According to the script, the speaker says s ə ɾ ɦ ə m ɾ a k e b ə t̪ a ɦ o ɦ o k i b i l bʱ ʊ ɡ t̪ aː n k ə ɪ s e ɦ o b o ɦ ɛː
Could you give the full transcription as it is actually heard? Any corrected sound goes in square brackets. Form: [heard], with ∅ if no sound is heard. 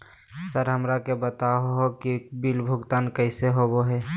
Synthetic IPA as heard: s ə ɾ ɦ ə m ɾ a k e b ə t̪ a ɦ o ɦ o k i b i l bʱ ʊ ɡ t̪ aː n k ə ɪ s e ɦ o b o ɦ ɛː